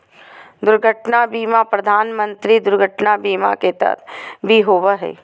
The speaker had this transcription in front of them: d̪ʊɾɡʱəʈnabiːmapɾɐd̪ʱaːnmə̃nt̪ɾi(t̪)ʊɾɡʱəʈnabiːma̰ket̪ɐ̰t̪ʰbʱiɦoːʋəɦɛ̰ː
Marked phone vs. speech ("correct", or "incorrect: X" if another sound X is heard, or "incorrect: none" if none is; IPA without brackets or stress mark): incorrect: d̪